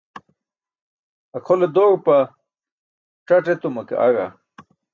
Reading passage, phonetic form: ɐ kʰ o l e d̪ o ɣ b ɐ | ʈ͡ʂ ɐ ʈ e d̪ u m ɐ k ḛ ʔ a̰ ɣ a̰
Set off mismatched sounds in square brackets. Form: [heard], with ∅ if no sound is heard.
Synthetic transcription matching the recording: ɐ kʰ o l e d̪ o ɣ [p] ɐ | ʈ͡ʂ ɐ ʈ e [t̪] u m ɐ k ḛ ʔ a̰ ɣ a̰